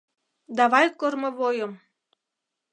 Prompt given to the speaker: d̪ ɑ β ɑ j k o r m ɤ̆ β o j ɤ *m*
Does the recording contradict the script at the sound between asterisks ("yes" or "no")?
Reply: no